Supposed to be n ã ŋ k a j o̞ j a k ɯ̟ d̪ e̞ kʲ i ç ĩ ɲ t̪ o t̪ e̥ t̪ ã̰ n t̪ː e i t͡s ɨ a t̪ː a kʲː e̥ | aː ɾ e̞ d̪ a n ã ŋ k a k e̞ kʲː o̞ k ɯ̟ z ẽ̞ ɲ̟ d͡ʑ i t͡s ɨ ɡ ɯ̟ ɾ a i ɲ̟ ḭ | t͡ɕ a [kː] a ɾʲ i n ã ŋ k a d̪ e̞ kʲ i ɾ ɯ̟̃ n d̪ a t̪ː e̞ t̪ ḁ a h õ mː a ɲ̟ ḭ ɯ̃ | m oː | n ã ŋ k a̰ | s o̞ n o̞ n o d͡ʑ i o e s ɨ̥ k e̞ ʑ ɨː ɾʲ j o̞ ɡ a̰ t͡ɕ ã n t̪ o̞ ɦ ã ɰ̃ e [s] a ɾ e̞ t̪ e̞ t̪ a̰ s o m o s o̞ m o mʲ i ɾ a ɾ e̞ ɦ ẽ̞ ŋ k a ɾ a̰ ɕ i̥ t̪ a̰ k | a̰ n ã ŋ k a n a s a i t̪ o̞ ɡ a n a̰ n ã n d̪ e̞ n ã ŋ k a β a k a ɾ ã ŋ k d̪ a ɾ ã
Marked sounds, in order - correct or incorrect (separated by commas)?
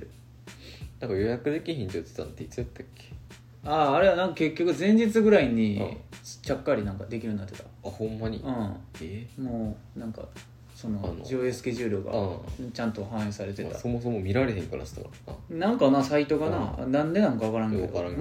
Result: correct, correct